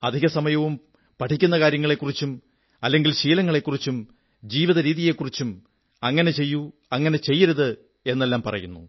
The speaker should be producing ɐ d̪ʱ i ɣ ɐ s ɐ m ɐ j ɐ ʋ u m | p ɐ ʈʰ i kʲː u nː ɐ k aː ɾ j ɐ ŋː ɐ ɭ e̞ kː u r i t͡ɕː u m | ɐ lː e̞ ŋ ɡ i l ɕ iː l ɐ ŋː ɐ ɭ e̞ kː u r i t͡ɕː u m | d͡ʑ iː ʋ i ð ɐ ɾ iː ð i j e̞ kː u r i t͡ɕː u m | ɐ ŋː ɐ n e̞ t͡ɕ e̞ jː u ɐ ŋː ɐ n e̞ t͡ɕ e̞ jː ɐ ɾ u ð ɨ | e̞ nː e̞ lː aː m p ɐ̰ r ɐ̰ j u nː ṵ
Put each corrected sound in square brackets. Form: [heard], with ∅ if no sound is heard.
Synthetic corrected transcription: ɐ d̪ʱ i ɣ ɐ s ɐ m ɐ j ɐ ʋ u m | p ɐ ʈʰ i kʲː u nː ɐ k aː ɾ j ɐ ŋː ɐ ɭ e̞ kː u r i t͡ɕː u m | ɐ lː e̞ ŋ ɡ i l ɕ iː l ɐ ŋː ɐ ɭ e̞ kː u r i t͡ɕː u m | d͡ʑ iː ʋ i ð ɐ ɾ iː ð i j e̞ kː u r i t͡ɕː u m | ɐ ŋː ɐ n e̞ t͡ɕ e̞ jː u ɐ ŋː ɐ n e̞ t͡ɕ e̞ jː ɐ ɾ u ð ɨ | e̞ nː e̞ lː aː m p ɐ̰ r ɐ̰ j u nː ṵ